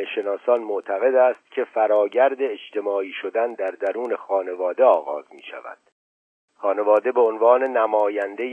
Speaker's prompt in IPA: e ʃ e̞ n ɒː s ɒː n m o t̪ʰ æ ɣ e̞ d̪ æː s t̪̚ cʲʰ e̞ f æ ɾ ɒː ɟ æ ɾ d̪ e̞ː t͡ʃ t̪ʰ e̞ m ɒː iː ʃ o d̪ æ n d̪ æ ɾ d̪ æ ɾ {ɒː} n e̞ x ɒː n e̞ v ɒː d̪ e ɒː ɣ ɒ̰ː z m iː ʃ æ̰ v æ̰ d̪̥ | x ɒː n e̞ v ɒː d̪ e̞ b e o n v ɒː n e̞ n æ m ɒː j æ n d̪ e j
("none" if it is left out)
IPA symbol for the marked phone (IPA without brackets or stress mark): uː